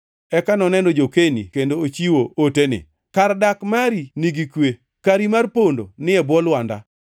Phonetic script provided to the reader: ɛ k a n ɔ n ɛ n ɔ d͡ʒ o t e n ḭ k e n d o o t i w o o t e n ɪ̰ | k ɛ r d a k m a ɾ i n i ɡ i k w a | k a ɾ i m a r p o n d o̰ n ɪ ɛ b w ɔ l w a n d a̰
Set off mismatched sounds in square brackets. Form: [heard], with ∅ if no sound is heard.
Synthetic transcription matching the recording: ɛ k a n ɔ n ɛ n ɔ d͡ʒ o [k] e n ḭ k e n d o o [t͡ʃ] i w o o t e n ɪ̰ | k [a] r d a k m a ɾ i n i ɡ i k w [e] | k a ɾ i m a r p o n d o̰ n ɪ ɛ b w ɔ l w a n d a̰